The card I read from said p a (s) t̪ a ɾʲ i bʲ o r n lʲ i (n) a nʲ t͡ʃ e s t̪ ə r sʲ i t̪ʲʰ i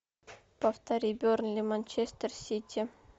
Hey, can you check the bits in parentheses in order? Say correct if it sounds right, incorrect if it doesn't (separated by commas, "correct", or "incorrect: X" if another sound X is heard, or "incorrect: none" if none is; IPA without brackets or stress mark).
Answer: incorrect: f, incorrect: m